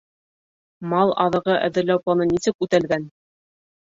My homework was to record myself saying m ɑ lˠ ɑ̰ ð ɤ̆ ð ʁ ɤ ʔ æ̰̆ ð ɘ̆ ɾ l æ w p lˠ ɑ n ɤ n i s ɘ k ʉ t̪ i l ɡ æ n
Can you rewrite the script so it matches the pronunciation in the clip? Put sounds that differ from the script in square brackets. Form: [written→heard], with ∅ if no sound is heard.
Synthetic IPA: m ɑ lˠ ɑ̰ ð ɤ̆ [ð→∅] ʁ ɤ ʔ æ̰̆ ð ɘ̆ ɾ l æ w p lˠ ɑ n ɤ n i s ɘ k ʉ t̪ [i→æ] l ɡ æ n

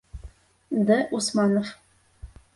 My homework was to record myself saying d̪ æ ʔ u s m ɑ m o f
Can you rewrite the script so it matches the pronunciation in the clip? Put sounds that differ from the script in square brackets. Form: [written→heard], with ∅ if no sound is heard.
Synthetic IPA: d̪ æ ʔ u s m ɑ [m→n] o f

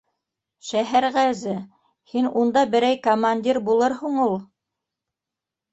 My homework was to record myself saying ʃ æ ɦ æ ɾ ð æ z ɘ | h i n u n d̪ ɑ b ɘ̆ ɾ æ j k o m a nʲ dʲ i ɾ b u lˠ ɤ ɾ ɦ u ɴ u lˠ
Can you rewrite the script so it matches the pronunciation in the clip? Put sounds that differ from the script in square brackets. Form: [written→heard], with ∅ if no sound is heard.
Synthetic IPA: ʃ æ ɦ æ ɾ [ð→ʁ] æ z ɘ | h i n u n d̪ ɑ b ɘ̆ ɾ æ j k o m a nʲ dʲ i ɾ b u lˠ ɤ ɾ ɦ u ɴ u lˠ

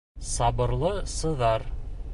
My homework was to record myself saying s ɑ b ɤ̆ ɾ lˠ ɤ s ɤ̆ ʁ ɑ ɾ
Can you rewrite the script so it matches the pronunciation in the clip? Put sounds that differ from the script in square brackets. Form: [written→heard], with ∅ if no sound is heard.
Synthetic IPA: s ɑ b ɤ̆ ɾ lˠ ɤ s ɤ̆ [ʁ→ð] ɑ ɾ

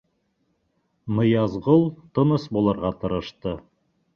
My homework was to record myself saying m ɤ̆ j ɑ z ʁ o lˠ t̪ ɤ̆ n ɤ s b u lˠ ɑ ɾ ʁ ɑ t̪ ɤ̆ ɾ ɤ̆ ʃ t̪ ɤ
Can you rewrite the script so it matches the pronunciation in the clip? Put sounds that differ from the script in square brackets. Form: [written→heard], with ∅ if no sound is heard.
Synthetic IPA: m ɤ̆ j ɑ z ʁ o lˠ t̪ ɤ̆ n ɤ s b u lˠ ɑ ɾ ʁ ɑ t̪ ɤ̆ ɾ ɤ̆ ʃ t̪ ɤ

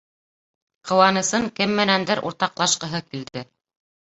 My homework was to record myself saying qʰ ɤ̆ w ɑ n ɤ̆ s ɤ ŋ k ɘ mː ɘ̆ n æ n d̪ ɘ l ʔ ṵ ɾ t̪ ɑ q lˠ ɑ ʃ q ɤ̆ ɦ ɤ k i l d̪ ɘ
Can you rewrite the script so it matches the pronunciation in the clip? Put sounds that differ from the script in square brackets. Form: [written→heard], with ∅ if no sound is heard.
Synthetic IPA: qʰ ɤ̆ w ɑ n ɤ̆ s ɤ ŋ k ɘ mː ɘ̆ n æ n d̪ ɘ [l→ɾ] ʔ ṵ ɾ t̪ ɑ q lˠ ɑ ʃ q ɤ̆ ɦ ɤ k i l d̪ ɘ

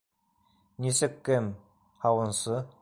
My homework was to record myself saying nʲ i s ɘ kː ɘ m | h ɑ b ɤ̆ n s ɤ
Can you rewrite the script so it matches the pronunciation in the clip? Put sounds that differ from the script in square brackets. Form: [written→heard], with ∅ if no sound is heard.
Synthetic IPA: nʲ i s ɘ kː ɘ m | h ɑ [b→w] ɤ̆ n s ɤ

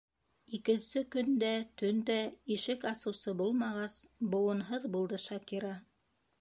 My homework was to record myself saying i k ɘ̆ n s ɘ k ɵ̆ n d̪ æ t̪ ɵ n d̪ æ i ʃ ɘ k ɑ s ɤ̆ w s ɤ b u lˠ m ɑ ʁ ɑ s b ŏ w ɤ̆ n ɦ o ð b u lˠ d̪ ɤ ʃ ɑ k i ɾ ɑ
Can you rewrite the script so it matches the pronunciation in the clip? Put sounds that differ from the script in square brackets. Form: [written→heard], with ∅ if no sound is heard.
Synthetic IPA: i k ɘ̆ n s ɘ k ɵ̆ n d̪ æ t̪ ɵ n d̪ æ i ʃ ɘ k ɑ s ɤ̆ w s ɤ b u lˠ m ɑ ʁ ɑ s b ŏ w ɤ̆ n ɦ [o→ɤ] ð b u lˠ d̪ ɤ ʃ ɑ k i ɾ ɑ

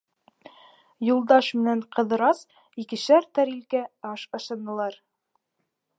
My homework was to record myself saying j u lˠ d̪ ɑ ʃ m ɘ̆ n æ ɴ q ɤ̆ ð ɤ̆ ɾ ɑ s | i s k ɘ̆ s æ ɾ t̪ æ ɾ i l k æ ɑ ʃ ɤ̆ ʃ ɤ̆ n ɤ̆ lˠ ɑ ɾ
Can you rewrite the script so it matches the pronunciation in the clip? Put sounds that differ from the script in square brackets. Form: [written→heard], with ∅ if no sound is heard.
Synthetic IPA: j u lˠ d̪ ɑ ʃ m ɘ̆ n æ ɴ q ɤ̆ ð ɤ̆ ɾ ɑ s | i [s→∅] k ɘ̆ [s→ʃ] æ ɾ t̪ æ ɾ i l k æ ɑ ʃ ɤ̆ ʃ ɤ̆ n ɤ̆ lˠ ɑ ɾ

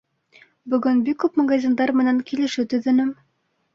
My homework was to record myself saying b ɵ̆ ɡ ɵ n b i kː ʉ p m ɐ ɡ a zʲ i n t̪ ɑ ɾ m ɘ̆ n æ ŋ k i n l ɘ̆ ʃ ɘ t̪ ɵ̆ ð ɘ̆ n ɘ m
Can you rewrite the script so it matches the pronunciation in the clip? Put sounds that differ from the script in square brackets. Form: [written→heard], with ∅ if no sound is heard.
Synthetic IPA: b ɵ̆ ɡ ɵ n b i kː ʉ p m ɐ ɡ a zʲ i n [t̪→d̪] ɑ ɾ m ɘ̆ n æ ŋ k i [n→∅] l ɘ̆ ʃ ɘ t̪ ɵ̆ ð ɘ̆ n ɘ m

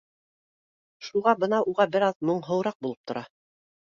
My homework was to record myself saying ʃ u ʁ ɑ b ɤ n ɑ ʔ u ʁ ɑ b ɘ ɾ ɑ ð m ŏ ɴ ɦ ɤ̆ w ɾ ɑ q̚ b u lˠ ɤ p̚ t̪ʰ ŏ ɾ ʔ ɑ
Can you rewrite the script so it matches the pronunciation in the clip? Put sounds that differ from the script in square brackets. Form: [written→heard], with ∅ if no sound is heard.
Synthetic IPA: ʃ u ʁ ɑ b ɤ n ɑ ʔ u ʁ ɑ b ɘ ɾ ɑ ð m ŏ ɴ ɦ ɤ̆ w ɾ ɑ q̚ b u lˠ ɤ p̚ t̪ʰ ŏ ɾ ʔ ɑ

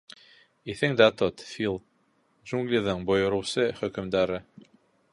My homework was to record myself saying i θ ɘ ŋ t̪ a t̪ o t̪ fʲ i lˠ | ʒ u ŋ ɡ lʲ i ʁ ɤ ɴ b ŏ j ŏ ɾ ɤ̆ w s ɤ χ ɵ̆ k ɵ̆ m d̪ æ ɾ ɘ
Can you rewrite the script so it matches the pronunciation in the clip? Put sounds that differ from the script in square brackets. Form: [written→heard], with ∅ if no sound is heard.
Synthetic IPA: i θ ɘ ŋ [t̪→d̪] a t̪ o t̪ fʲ i lˠ | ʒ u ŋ ɡ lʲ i [ʁ→ð] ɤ ɴ b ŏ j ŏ ɾ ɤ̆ w s ɤ χ ɵ̆ k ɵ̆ m d̪ æ ɾ ɘ

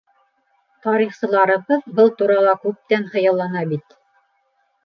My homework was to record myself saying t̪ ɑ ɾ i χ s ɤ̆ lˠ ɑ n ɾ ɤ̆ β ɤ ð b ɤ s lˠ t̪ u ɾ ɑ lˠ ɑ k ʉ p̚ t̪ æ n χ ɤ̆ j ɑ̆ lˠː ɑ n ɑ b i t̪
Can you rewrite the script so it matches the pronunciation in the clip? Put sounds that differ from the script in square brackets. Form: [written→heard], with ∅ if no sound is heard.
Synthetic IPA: t̪ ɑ ɾ i χ s ɤ̆ lˠ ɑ [n→∅] ɾ ɤ̆ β ɤ ð b ɤ [s→∅] lˠ t̪ u ɾ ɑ lˠ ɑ k ʉ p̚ t̪ æ n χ ɤ̆ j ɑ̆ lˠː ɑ n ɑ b i t̪

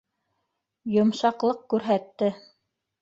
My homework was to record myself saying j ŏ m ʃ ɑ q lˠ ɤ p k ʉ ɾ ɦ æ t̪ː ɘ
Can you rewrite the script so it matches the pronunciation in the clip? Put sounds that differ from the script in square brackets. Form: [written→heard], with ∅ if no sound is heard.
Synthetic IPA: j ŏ m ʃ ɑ q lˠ ɤ [p→q] k ʉ ɾ ɦ æ t̪ː ɘ

